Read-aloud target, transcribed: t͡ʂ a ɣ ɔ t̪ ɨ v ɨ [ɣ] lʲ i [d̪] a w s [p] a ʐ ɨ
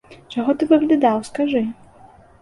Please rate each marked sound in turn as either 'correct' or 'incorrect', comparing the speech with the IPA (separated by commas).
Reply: correct, correct, incorrect